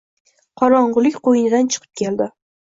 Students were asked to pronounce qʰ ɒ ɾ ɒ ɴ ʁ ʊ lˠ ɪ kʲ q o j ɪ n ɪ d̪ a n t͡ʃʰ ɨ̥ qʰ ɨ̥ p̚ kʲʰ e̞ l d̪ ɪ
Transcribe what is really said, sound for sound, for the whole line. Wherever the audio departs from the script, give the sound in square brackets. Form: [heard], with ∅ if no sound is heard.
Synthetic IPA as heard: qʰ ɒ ɾ ɒ ɴ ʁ ʊ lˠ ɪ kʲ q o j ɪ n ɪ d̪ a n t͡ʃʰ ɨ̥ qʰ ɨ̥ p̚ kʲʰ e̞ l d̪ ɪ

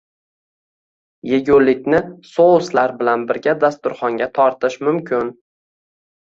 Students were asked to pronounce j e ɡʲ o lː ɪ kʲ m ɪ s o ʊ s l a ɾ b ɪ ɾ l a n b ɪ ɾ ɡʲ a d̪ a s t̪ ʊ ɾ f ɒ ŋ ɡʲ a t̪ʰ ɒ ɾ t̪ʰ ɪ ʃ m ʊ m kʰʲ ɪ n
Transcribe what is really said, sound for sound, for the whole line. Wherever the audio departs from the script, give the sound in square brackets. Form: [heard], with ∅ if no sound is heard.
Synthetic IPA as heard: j e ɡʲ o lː ɪ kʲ [n] ɪ s o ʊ s l a ɾ b ɪ [∅] l a n b ɪ ɾ ɡʲ a d̪ a s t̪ ʊ ɾ [χ] ɒ ŋ ɡʲ a t̪ʰ ɒ ɾ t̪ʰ ɪ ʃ m ʊ m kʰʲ ɪ n

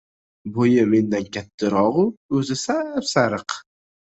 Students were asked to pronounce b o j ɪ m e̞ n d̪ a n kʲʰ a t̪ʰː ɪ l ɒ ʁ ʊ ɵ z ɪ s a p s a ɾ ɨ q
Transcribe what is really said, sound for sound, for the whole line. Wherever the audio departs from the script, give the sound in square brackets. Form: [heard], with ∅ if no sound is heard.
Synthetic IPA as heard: b o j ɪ m e̞ n d̪ a n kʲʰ a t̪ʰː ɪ [ɾ] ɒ ʁ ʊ ɵ z ɪ s a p s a ɾ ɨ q

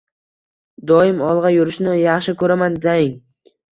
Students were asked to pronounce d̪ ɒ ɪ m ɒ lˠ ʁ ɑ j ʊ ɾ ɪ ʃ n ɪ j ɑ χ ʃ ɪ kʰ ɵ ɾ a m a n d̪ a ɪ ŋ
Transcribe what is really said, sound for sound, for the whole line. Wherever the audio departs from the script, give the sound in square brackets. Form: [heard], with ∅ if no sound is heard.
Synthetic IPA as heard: d̪ ɒ ɪ m ɒ lˠ ʁ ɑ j ʊ ɾ ɪ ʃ n ɪ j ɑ χ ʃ ɪ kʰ ɵ ɾ a m a n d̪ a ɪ ŋ

